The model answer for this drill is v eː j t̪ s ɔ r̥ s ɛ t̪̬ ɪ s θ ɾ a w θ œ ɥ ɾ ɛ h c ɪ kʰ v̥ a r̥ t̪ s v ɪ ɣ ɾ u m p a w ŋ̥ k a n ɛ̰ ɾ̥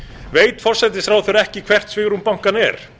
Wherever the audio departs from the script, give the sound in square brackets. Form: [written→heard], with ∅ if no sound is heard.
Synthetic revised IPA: v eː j t̪ [s→f] ɔ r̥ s ɛ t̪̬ ɪ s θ ɾ a w θ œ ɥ ɾ ɛ h c ɪ kʰ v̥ [a→ɛ] r̥ t̪ s v ɪ ɣ ɾ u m p a w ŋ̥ k a n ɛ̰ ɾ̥